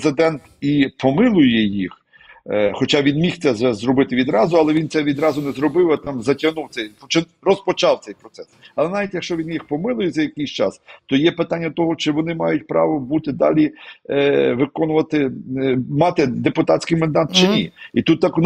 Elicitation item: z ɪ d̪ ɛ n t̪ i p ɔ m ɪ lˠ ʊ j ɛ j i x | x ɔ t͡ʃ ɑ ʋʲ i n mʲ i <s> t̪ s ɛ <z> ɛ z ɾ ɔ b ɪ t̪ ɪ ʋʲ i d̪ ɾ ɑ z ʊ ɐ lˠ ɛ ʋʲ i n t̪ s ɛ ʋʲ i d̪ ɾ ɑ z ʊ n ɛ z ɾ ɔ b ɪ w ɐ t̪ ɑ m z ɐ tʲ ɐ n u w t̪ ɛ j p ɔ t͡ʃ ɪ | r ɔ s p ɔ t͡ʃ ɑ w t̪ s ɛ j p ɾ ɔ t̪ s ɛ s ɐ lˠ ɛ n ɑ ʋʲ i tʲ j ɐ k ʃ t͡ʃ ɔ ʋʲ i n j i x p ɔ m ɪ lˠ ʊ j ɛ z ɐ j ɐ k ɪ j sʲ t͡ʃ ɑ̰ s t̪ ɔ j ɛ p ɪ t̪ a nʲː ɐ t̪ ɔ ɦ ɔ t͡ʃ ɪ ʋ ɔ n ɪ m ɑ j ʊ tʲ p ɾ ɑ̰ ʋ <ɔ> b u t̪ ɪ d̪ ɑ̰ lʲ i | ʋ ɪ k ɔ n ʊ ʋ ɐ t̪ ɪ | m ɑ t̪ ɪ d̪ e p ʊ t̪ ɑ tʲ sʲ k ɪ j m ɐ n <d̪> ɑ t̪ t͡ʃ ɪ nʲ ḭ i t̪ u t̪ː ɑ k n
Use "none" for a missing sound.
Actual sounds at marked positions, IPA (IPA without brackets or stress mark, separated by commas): x, z, ɔ, d̪